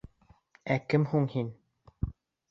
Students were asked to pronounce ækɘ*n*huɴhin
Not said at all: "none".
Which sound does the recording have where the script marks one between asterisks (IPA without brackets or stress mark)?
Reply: m